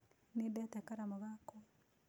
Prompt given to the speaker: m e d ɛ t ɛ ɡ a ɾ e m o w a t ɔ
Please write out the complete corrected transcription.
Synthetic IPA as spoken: n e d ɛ t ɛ k a ɾ a m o ɣ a k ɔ